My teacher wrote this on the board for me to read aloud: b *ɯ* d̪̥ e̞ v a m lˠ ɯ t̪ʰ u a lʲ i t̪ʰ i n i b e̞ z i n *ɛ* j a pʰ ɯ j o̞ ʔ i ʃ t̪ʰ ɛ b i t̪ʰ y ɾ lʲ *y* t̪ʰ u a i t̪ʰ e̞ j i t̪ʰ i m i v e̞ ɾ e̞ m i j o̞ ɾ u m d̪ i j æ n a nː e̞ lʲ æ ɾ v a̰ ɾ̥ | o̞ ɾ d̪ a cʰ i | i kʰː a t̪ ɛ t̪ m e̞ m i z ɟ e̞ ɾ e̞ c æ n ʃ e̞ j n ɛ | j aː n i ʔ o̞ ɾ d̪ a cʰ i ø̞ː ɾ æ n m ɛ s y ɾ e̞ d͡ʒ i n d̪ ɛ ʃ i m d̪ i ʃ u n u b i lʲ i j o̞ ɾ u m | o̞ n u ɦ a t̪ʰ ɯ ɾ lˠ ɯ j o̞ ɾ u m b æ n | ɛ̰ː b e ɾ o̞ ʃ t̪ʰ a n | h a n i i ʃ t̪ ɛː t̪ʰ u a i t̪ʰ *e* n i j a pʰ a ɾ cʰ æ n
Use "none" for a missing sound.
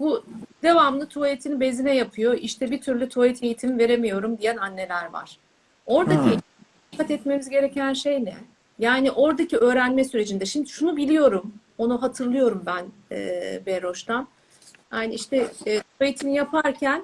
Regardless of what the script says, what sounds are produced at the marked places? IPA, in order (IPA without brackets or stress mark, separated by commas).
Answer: u, ɛ, y, i